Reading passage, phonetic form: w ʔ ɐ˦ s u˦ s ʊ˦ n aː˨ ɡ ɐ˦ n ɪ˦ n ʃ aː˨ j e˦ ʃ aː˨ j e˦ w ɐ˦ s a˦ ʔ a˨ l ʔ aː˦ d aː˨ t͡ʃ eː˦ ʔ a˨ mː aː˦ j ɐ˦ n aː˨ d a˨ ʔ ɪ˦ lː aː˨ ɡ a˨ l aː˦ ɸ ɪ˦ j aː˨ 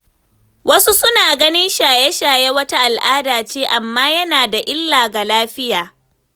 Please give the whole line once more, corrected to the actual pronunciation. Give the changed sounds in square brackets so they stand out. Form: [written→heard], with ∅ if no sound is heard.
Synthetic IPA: w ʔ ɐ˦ s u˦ s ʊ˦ n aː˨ ɡ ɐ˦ n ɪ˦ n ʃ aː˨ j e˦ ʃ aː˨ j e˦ w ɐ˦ [s→t] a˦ ʔ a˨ l ʔ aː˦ d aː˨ t͡ʃ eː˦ ʔ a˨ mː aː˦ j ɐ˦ n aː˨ d a˨ ʔ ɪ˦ lː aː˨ ɡ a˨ l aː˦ ɸ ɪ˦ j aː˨